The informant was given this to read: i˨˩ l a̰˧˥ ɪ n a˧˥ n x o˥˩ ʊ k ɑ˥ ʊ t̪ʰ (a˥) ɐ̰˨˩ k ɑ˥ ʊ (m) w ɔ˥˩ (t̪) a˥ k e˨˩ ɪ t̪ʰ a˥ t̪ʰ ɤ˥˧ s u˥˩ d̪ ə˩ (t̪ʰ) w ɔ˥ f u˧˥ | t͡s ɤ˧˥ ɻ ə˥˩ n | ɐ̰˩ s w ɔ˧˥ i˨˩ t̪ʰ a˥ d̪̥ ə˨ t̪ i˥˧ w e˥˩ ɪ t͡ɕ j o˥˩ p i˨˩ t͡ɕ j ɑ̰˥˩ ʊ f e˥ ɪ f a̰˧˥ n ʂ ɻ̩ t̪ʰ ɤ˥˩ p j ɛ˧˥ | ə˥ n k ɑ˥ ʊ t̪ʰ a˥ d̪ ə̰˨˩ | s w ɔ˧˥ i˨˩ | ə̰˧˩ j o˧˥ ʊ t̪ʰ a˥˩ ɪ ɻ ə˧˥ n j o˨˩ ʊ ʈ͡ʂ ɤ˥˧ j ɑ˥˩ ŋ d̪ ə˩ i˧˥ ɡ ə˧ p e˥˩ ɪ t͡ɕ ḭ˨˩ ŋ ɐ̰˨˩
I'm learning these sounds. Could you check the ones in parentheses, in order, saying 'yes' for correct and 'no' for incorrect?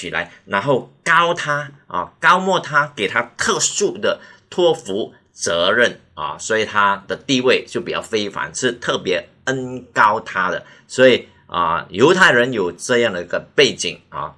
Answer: yes, yes, no, yes

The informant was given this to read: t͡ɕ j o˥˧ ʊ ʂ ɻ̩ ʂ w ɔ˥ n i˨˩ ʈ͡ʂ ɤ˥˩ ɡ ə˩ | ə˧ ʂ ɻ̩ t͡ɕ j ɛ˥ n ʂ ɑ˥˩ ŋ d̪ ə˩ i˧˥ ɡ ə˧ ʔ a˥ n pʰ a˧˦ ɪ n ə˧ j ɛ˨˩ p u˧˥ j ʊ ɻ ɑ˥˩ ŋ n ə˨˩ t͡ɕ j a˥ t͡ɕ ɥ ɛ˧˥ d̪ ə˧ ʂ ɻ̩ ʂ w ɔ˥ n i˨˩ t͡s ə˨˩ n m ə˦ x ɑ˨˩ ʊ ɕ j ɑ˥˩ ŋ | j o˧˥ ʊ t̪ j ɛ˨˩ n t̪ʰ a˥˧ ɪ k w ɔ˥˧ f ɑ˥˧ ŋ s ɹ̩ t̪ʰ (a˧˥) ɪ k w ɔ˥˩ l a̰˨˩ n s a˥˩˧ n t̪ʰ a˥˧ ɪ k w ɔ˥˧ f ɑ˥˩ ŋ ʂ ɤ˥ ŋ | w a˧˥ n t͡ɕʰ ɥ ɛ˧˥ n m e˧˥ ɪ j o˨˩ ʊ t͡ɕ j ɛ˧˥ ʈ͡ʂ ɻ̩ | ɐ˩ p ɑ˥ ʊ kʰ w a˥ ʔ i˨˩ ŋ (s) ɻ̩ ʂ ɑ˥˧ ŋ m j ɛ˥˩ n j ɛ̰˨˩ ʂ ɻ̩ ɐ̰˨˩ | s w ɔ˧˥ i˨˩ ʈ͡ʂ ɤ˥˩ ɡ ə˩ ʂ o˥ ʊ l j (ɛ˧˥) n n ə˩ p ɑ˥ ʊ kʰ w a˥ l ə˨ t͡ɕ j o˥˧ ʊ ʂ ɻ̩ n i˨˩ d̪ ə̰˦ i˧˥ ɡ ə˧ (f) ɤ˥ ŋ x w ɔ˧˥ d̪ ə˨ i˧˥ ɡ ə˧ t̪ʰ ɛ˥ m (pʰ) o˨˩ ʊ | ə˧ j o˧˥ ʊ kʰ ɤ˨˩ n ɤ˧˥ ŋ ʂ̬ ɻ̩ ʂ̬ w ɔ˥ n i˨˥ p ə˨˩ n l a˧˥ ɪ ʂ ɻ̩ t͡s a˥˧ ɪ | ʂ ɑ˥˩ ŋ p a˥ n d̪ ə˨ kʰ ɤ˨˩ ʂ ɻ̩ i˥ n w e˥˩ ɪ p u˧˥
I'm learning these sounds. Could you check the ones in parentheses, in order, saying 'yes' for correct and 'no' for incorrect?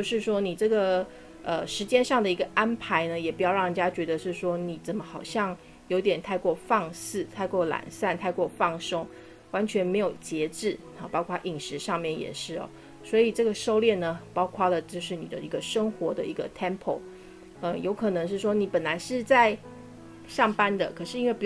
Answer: no, no, no, no, yes

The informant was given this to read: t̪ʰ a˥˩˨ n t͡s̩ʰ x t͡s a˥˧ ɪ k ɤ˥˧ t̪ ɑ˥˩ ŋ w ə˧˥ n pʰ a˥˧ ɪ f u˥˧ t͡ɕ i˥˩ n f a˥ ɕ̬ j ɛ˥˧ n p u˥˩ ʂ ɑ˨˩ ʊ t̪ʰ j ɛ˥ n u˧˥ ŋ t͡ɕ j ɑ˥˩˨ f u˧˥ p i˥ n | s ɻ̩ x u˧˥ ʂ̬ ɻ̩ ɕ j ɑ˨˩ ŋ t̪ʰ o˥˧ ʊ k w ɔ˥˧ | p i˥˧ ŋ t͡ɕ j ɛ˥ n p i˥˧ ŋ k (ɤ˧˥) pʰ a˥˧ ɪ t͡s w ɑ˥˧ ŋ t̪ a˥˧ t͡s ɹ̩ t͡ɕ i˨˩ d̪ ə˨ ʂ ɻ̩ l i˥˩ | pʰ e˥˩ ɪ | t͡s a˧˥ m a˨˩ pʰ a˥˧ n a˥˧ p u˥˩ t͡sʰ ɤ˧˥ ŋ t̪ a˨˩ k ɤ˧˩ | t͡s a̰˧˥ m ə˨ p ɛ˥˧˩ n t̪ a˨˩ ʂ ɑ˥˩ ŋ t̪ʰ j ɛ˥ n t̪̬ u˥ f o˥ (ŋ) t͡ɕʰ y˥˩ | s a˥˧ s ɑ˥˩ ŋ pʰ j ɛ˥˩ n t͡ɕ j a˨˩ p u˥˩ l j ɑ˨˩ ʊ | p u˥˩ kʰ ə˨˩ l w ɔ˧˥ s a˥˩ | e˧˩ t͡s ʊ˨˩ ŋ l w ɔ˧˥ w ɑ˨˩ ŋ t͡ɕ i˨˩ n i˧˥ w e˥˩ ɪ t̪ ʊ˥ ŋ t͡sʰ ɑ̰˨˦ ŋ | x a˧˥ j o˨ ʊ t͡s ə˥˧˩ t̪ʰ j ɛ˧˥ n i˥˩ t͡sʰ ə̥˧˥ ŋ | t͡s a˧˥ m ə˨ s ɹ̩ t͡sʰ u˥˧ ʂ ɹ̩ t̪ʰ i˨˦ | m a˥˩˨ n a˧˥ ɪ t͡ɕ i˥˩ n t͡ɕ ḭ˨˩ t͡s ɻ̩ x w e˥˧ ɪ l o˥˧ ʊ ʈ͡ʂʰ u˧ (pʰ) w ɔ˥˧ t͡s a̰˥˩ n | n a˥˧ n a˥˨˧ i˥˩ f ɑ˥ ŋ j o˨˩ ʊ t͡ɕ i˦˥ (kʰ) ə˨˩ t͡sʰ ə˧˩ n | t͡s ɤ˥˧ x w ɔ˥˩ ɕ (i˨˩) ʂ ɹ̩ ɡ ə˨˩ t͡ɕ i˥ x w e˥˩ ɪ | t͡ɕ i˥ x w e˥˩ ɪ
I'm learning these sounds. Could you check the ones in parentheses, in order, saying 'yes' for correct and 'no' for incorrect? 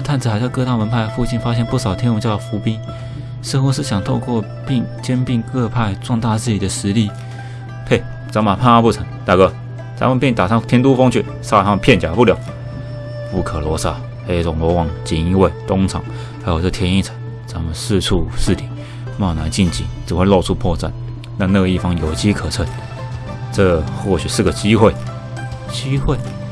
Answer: no, yes, yes, yes, no

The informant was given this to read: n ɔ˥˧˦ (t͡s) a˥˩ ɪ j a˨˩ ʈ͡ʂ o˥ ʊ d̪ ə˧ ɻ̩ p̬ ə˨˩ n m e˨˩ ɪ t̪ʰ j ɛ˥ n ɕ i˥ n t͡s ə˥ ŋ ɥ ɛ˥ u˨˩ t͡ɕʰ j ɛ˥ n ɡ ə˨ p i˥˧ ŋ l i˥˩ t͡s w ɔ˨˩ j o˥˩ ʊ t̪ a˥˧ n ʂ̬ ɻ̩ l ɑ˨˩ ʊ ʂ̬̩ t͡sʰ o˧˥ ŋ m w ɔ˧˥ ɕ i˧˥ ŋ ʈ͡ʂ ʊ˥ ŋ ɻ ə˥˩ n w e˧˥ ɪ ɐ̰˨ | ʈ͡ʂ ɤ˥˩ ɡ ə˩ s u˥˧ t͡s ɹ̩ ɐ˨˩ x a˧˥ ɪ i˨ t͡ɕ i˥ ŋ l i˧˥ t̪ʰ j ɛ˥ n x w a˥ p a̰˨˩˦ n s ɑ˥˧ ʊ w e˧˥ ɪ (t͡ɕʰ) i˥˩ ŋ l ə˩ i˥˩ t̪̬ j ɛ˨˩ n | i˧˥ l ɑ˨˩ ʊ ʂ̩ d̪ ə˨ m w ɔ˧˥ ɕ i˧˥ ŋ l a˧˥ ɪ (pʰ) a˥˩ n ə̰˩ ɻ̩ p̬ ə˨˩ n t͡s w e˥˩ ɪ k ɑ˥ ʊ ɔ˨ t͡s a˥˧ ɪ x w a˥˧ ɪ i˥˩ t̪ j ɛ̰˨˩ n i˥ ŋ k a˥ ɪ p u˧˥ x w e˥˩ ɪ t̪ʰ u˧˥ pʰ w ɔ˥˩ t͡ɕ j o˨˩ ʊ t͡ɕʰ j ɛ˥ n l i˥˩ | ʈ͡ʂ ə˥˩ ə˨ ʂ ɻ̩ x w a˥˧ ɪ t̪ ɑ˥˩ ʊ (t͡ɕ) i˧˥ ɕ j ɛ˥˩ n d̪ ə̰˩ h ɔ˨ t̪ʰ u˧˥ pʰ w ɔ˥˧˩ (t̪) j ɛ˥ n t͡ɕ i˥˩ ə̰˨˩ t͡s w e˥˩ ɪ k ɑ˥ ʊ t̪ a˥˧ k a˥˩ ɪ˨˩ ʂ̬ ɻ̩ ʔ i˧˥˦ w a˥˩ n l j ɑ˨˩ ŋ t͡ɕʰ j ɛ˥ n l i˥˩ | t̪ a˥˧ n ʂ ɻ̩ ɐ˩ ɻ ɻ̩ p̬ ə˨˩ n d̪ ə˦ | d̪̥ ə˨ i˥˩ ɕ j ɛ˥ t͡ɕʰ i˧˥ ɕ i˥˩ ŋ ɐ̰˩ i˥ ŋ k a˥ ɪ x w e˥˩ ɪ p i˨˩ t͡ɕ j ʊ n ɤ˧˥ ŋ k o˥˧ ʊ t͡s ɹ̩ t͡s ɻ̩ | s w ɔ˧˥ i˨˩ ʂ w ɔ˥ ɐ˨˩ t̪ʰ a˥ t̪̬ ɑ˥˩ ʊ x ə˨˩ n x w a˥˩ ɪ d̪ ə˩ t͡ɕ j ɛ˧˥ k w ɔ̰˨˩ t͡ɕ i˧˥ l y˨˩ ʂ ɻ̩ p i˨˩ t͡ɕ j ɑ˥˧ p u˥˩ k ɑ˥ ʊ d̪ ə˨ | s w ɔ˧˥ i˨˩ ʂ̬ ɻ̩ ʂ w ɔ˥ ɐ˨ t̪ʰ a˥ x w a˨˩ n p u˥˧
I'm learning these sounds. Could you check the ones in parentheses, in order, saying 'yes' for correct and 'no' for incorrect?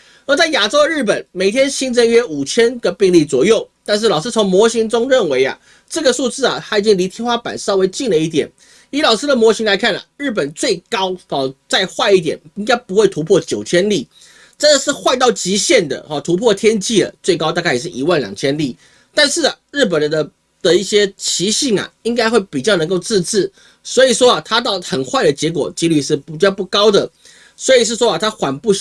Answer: yes, no, no, yes, no

